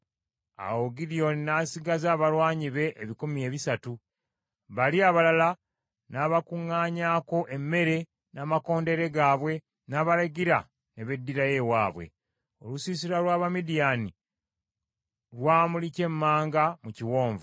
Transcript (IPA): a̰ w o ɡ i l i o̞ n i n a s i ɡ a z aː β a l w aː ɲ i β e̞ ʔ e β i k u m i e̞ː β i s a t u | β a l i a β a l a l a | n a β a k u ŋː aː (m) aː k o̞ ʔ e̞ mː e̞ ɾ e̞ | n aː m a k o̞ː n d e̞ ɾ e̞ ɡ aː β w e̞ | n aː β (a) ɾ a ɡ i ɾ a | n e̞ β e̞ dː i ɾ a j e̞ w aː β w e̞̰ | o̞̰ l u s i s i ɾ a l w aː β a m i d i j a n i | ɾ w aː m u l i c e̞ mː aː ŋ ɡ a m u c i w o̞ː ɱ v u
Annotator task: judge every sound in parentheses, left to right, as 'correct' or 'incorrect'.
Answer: incorrect, correct

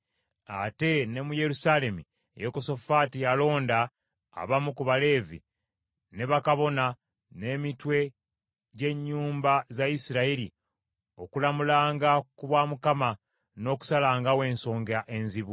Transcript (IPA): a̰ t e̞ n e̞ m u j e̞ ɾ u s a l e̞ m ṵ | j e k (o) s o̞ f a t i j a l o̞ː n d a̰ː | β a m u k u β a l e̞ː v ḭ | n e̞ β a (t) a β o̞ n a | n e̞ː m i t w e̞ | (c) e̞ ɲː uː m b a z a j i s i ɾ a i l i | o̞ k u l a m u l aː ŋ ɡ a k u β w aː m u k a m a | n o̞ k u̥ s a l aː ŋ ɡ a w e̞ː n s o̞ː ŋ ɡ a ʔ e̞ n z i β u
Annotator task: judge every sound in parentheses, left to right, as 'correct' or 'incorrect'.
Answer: correct, incorrect, incorrect

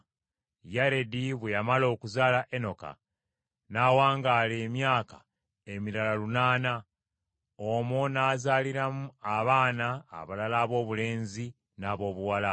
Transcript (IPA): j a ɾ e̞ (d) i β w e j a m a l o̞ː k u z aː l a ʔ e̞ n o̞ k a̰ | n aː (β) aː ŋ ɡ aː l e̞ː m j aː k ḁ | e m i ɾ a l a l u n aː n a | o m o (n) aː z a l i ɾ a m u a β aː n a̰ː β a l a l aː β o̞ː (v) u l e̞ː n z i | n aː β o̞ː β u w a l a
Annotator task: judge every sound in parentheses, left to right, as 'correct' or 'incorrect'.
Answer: correct, incorrect, correct, incorrect

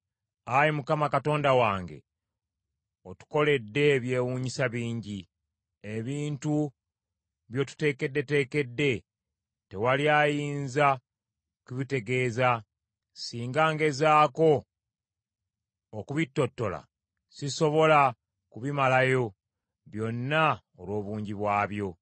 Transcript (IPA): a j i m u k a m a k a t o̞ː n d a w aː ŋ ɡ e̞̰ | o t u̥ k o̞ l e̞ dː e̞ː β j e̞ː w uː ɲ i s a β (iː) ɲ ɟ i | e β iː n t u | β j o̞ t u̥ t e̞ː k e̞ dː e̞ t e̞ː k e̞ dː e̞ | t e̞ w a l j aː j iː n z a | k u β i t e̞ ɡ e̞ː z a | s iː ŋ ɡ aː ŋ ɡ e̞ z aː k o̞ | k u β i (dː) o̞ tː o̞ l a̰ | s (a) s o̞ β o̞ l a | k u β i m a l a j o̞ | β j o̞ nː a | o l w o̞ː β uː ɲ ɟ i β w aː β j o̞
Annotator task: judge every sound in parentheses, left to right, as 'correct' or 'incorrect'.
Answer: correct, incorrect, incorrect

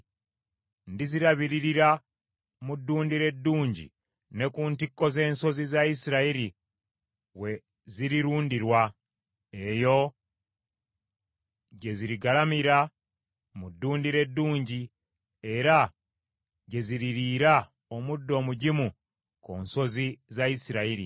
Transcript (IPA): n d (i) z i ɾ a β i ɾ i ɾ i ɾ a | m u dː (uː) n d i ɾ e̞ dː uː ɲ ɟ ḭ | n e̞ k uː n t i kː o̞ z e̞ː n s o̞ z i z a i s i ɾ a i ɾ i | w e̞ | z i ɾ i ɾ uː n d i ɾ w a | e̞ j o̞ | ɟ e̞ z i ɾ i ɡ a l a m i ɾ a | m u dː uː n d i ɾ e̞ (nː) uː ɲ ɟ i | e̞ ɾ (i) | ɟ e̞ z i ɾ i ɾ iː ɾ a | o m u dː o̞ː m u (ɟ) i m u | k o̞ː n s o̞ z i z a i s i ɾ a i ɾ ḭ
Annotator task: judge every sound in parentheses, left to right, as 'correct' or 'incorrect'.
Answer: correct, correct, incorrect, incorrect, correct

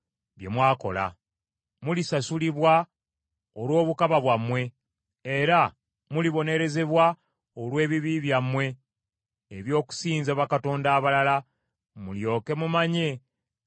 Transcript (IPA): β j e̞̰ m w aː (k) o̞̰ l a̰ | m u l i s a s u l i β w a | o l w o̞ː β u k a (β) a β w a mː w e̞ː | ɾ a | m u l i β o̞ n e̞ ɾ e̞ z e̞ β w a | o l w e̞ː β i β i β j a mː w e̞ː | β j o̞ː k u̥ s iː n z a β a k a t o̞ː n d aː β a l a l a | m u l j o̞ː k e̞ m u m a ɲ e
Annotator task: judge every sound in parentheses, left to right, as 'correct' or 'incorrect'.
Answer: correct, correct

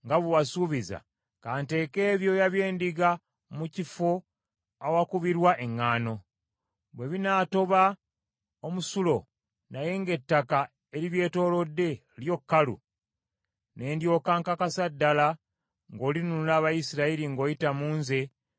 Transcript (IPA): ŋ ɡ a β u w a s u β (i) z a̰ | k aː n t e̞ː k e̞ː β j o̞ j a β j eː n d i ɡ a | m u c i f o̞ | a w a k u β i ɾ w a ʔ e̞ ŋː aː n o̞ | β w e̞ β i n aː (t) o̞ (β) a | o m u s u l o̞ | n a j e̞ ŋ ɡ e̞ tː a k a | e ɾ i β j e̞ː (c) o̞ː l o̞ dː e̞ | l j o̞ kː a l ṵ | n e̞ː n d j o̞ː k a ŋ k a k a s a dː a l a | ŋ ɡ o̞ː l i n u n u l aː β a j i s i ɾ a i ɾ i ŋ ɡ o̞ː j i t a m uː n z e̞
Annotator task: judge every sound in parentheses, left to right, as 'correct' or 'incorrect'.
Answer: correct, correct, correct, incorrect

